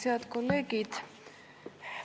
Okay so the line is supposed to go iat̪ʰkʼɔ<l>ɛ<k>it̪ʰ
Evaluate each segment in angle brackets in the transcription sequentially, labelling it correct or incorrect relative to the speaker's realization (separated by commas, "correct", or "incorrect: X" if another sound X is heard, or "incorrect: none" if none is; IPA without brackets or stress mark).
correct, incorrect: ɡ